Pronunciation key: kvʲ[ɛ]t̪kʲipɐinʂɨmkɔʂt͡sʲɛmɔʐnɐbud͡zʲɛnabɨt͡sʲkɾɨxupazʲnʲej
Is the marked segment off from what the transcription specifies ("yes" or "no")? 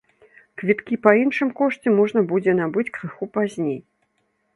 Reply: yes